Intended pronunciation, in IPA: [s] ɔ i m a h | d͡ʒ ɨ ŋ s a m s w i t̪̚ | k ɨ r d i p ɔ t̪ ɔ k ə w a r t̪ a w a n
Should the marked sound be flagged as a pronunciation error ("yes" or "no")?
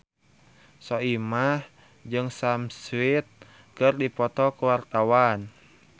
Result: no